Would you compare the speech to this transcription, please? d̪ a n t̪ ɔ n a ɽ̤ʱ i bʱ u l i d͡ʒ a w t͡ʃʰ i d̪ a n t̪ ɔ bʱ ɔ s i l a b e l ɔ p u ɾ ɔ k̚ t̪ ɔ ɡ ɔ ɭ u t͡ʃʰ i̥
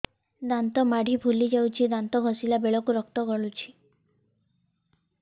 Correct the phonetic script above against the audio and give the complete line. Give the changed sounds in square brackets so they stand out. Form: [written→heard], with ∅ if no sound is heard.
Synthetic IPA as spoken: d̪ a n t̪ ɔ [n→m] a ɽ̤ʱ i bʱ u l i d͡ʒ a w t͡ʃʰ i d̪ a n t̪ ɔ [bʱ→ɡʱ] ɔ s i l a b e [l→ɭ] ɔ [p→k] u ɾ ɔ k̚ t̪ ɔ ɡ ɔ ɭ u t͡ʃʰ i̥